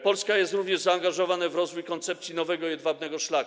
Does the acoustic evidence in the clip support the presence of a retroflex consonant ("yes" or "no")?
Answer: yes